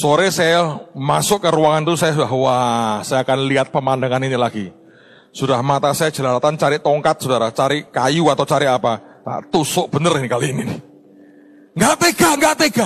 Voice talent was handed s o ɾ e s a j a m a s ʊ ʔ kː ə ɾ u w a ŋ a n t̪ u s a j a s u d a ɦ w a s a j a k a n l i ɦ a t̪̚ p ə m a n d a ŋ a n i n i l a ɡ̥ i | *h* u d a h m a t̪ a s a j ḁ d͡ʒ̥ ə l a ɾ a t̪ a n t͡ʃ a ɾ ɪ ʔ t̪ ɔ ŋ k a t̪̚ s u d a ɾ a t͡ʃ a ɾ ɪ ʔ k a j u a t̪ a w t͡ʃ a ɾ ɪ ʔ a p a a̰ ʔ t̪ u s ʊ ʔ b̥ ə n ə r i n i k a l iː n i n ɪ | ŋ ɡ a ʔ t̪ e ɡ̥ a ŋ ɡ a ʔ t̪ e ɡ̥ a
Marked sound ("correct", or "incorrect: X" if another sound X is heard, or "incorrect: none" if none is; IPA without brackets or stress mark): incorrect: s